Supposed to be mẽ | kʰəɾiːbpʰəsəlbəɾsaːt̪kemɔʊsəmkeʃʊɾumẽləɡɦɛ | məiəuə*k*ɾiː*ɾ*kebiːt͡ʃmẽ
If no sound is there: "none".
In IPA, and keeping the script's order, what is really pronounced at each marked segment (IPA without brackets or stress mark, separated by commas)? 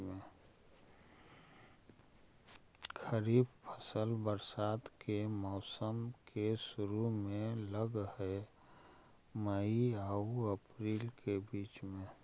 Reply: p, l